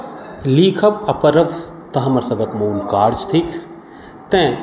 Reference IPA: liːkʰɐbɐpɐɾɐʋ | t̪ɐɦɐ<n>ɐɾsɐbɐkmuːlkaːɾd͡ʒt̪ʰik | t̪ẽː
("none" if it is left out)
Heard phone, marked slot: m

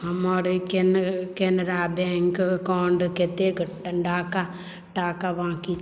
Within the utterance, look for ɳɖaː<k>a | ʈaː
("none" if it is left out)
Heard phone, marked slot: k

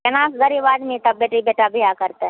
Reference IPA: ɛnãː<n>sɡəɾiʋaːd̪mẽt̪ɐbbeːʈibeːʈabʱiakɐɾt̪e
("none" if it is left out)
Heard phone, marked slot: none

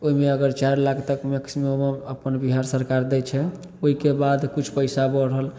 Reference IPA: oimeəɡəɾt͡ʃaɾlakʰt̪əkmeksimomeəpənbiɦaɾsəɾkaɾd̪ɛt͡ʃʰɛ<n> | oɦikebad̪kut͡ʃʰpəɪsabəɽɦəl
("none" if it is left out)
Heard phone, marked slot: none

